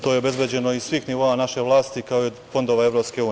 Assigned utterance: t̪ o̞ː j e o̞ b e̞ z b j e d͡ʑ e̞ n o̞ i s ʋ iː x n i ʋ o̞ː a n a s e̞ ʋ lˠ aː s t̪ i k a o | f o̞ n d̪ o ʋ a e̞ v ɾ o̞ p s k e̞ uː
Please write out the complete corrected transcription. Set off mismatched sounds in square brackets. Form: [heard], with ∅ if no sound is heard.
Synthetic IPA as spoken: t̪ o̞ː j e o̞ b e̞ z b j e d͡ʑ e̞ n o̞ i s ʋ iː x n i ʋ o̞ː a n a [ʃ] e̞ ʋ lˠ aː s t̪ i k a o | f o̞ n d̪ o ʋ a e̞ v ɾ o̞ p s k e̞ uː